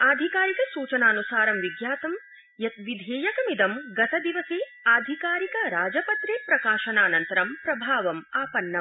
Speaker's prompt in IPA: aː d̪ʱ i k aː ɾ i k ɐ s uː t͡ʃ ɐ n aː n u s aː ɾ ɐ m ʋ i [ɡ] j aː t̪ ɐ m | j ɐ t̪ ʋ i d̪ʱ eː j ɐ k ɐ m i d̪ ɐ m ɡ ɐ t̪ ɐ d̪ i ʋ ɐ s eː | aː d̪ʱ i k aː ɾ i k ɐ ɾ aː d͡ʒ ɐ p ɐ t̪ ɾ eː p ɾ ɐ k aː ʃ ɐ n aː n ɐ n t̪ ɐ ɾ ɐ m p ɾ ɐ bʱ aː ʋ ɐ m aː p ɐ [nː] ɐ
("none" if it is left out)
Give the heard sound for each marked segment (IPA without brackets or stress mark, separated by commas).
ɡ, nː